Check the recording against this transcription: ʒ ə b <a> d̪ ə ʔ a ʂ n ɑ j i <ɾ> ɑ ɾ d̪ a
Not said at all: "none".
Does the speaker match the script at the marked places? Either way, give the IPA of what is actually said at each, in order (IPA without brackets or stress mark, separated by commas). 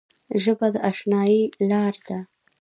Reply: a, l